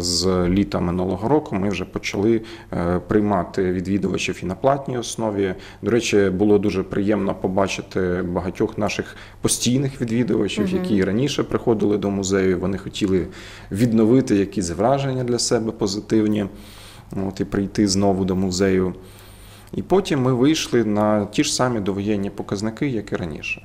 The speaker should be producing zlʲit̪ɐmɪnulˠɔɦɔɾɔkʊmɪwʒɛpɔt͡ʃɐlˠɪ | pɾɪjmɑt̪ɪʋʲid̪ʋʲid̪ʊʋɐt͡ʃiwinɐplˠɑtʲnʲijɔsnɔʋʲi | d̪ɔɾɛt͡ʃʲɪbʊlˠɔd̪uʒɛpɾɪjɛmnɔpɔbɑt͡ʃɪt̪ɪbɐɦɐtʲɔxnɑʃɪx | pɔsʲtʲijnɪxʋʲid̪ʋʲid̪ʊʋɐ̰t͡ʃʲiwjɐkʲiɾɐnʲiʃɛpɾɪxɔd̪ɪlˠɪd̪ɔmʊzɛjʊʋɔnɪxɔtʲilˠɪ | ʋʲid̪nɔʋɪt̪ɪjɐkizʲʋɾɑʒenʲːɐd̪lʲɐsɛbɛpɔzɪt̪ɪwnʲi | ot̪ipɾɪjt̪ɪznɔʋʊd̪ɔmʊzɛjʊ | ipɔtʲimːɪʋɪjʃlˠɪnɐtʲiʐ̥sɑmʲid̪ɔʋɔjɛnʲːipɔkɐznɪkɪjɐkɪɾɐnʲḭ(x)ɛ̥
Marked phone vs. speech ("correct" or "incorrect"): incorrect